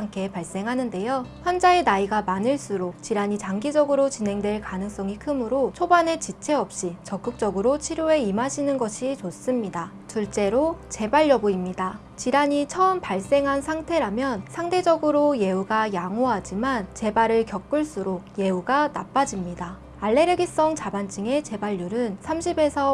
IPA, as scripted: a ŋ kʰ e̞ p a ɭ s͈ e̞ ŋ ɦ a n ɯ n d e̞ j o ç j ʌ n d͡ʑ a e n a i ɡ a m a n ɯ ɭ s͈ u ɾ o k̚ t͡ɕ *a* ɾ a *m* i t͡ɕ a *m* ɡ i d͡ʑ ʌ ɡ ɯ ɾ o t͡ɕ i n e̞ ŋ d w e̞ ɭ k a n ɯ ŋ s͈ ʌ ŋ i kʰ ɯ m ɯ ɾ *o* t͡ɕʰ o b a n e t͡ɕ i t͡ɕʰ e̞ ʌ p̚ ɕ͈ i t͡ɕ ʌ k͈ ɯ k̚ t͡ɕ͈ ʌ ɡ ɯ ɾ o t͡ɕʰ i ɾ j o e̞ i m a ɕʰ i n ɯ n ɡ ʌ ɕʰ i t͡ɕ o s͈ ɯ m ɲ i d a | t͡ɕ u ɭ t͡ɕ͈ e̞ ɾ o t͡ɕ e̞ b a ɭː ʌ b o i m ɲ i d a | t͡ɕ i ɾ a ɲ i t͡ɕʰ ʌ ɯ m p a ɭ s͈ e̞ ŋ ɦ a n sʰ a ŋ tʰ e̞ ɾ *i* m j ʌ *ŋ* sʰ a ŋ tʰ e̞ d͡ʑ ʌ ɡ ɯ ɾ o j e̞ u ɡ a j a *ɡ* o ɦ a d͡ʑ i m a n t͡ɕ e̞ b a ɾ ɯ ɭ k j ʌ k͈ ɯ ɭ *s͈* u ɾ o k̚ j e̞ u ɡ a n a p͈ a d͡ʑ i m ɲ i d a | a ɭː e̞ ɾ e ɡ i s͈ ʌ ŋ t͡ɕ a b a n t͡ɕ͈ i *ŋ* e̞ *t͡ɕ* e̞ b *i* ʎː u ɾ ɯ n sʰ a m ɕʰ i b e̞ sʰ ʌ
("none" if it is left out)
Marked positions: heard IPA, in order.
i, ɲ, ŋ, o, a, n, ŋ, s͈, ŋ, t͡ɕ, a

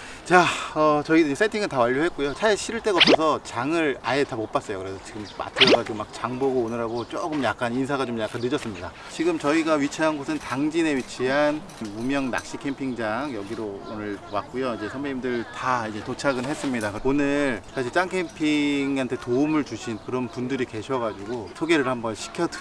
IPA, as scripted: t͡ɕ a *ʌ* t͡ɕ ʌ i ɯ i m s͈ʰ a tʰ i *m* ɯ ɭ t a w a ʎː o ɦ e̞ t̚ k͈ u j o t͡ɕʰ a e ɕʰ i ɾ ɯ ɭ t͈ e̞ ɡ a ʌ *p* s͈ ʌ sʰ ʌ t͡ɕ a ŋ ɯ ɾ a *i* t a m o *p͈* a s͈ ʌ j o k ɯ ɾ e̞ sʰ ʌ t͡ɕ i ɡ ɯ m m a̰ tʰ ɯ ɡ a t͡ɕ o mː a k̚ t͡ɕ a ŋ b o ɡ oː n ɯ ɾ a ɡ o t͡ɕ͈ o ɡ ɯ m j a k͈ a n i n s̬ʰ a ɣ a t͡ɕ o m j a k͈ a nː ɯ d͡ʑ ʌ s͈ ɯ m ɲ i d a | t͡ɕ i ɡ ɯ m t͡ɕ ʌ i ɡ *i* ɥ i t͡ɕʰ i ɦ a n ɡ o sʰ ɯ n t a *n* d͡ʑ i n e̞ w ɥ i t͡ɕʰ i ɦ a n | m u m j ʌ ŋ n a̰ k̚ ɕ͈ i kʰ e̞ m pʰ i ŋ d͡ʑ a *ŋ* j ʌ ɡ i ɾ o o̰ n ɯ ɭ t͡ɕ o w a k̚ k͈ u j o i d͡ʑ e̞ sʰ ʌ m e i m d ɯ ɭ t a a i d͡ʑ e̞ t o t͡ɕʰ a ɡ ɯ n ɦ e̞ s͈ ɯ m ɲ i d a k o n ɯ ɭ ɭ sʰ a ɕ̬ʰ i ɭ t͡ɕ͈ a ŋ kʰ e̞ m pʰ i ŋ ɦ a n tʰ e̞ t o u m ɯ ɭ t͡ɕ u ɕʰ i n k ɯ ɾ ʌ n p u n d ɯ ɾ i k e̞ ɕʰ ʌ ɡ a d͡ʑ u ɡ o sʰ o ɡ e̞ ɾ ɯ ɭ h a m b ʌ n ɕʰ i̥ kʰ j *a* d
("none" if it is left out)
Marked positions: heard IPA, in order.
ʌ, ŋ, p, e, p͈, a, ŋ, ŋ, ʌ

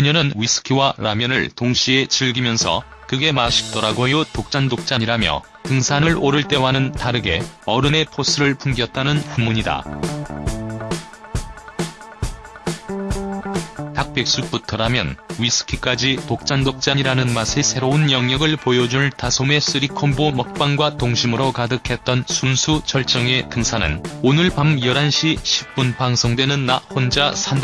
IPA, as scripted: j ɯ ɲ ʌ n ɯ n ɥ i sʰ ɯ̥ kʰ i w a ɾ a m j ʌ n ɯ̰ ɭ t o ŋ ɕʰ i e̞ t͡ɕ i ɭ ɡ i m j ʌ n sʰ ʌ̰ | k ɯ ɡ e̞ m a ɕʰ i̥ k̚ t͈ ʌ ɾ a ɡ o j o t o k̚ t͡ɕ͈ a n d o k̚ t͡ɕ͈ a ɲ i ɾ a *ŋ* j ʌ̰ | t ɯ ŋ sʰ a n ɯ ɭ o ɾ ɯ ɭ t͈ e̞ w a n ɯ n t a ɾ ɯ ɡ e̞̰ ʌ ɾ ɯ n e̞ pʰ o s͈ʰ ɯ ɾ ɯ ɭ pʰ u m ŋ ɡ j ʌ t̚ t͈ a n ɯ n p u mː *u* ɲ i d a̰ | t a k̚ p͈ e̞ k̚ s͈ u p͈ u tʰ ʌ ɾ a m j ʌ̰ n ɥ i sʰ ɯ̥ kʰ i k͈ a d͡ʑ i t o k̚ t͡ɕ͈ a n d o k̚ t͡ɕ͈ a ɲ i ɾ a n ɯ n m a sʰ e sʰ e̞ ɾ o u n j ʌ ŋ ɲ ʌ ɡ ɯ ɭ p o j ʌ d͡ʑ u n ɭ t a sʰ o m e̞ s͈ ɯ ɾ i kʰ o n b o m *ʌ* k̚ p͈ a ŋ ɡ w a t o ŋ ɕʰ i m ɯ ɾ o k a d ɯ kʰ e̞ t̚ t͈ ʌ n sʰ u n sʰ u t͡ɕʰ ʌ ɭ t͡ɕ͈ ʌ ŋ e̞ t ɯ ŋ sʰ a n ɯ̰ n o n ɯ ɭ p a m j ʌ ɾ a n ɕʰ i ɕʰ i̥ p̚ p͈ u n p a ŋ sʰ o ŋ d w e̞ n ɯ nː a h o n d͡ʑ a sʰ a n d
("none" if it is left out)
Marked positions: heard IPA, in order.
m, u, ʌ

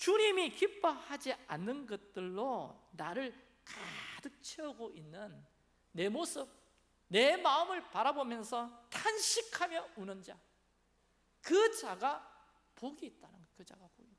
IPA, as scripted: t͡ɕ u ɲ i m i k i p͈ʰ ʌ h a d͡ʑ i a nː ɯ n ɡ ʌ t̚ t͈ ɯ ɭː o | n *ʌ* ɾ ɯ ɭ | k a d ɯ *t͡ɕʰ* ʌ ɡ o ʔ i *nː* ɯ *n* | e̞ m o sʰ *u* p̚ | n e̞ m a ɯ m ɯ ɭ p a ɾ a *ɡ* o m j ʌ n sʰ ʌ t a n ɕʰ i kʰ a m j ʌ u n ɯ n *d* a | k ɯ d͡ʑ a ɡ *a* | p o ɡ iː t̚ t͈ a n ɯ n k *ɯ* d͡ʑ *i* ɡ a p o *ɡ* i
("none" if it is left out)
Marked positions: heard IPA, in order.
a, t͡ɕʰ, nː, nː, ɯ, b, d͡ʑ, a, ɯ, a, ɡ

